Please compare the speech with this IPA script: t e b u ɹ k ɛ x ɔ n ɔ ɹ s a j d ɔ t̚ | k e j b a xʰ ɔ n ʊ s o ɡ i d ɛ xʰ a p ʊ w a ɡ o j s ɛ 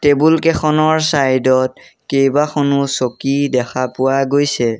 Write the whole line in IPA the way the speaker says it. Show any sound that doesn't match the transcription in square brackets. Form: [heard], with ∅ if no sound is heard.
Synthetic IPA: t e b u [l] k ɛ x ɔ n ɔ ɹ s a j d ɔ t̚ | k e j b a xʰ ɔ n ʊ s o [k] i d ɛ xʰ a p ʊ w a ɡ o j s ɛ